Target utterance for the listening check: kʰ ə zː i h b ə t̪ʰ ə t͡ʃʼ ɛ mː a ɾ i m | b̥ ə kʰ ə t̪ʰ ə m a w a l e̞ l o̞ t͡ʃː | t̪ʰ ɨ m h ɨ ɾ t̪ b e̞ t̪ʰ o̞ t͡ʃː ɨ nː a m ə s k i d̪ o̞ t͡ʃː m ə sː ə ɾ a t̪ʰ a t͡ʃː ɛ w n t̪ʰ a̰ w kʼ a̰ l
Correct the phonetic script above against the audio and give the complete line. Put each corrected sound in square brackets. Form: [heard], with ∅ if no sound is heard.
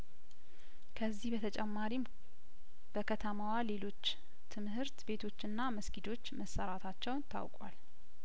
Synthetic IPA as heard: kʰ ə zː i h b ə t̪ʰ ə t͡ʃʼ ɛ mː a ɾ i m | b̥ ə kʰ ə t̪ʰ ə m a w a l e̞ l o̞ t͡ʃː | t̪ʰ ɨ m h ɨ ɾ t̪ b e̞ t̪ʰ o̞ t͡ʃː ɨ nː a m ə s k i d̪ o̞ t͡ʃː m ə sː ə ɾ a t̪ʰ a t͡ʃː ɛ w n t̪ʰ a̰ w kʼ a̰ l

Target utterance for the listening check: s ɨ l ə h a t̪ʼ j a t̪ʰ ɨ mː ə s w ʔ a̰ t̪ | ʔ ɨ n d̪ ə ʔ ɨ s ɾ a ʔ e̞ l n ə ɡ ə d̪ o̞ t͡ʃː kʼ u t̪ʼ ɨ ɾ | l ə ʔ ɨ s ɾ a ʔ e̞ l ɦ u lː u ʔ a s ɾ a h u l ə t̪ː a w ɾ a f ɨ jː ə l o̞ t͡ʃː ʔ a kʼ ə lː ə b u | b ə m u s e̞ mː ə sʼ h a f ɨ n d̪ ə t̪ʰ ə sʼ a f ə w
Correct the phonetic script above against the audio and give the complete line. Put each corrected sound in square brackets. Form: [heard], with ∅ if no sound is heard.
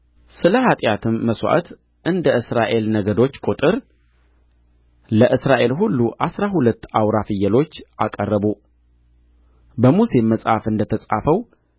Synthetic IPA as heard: s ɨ l ə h a t̪ʼ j a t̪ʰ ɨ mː ə s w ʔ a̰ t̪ | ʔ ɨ n d̪ ə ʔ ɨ s ɾ a ʔ e̞ l n ə ɡ ə d̪ o̞ t͡ʃː kʼ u t̪ʼ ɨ ɾ | l ə ʔ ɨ s ɾ a ʔ e̞ l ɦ u lː u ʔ a s ɾ a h u l ə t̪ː a w ɾ a f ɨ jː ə l o̞ t͡ʃː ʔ a kʼ ə [rː] ə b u | b ə m u s e̞ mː ə sʼ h a f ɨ n d̪ ə t̪ʰ ə sʼ a f ə w

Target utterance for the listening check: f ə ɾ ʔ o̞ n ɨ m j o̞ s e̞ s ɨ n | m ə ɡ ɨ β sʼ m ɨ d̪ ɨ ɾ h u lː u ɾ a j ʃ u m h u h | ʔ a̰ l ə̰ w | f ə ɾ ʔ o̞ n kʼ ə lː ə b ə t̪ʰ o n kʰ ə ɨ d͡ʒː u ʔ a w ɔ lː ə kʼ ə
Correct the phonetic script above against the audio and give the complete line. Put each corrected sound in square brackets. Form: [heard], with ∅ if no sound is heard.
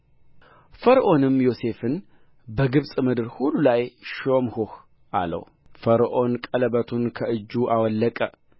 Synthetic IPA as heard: f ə ɾ ʔ o̞ n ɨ m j o̞ s e̞ [f] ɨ n | [b] ə ɡ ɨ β sʼ m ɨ d̪ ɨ ɾ h u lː u [l] a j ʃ [o] m h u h | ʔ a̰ l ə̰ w | f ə ɾ ʔ o̞ n kʼ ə [l] ə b ə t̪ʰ [u] n kʰ ə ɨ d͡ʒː u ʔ a w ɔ lː ə kʼ ə

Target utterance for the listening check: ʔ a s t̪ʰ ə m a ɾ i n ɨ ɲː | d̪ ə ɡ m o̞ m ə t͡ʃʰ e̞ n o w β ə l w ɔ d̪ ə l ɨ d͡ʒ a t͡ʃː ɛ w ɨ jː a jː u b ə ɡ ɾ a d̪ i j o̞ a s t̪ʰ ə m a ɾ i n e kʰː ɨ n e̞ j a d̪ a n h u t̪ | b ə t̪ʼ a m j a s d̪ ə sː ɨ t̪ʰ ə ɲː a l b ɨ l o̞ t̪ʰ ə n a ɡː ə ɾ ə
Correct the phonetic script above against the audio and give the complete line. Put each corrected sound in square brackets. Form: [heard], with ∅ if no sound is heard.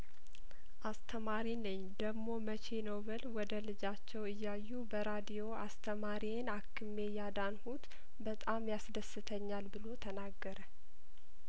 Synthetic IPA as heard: ʔ a s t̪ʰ ə m a ɾ i n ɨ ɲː | d̪ ə ɡ m o̞ m ə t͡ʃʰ e̞ n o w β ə l w ɔ d̪ ə l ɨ d͡ʒ a t͡ʃː ɛ w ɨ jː a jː u b ə [∅] ɾ a d̪ i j o̞ a s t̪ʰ ə m a ɾ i n [a] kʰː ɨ [m] e̞ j a d̪ a n h u t̪ | b ə t̪ʼ a m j a s d̪ ə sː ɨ t̪ʰ ə ɲː a l b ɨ l o̞ t̪ʰ ə n a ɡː ə ɾ ə

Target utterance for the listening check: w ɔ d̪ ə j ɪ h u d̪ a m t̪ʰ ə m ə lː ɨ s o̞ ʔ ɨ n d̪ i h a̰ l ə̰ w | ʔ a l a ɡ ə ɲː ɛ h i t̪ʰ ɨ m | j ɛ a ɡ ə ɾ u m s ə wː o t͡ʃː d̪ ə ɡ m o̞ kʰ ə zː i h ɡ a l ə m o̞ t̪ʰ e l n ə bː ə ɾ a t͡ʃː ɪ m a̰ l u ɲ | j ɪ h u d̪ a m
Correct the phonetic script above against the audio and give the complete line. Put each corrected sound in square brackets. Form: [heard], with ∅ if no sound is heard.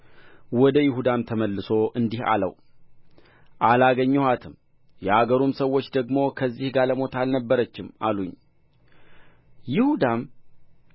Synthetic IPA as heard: w ɔ d̪ ə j ɪ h u d̪ a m t̪ʰ ə m ə lː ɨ s o̞ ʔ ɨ n d̪ i h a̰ l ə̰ w | ʔ a l a ɡ ə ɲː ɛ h [a] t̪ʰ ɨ m | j ɛ a ɡ ə ɾ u m s ə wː o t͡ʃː d̪ ə ɡ m o̞ kʰ ə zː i h ɡ a l ə m o̞ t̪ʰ [a] l n ə bː ə ɾ [ə] t͡ʃː ɪ m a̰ l u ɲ | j ɪ h u d̪ a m

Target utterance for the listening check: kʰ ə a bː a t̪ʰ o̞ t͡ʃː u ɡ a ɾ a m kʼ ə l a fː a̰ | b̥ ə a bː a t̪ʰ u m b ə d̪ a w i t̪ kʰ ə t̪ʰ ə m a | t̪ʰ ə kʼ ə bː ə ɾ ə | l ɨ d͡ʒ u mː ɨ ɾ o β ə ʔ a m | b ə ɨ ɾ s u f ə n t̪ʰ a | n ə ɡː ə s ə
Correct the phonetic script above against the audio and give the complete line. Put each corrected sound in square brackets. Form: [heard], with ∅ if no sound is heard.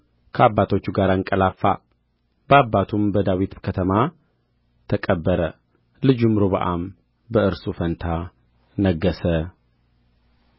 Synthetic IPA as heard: kʰ ə a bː a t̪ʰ o̞ t͡ʃː u ɡ a ɾ a [ŋ] kʼ ə l a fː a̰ | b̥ ə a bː a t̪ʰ u m b ə d̪ a w i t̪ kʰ ə t̪ʰ ə m a | t̪ʰ ə kʼ ə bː ə ɾ ə | l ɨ d͡ʒ u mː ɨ ɾ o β ə ʔ a m | b ə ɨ ɾ s u f ə n t̪ʰ a | n ə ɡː ə s ə

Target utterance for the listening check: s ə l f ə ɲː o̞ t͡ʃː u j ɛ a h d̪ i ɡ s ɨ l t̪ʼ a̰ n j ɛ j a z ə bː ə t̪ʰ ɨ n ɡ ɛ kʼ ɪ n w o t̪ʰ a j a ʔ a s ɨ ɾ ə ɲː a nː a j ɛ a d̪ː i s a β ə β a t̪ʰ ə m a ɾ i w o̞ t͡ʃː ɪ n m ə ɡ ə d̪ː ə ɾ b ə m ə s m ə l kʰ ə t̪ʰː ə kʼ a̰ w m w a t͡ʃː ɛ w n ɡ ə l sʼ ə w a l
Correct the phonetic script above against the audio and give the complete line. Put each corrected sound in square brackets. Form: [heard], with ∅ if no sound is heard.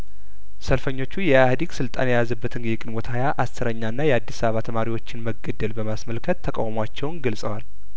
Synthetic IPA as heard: s ə l f ə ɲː o̞ t͡ʃː u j ɛ a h d̪ i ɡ s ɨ l t̪ʼ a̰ n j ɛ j a z ə bː ə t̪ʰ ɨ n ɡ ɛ kʼ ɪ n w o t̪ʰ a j a ʔ a s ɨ ɾ ə ɲː a nː a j ɛ a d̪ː i s a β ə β a t̪ʰ ə m a ɾ i w o̞ t͡ʃː ɪ n m ə ɡ ə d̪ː ə [l] b ə m [a] s m ə l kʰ ə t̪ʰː ə kʼ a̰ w m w a t͡ʃː ɛ w n ɡ ə l sʼ ə w a l

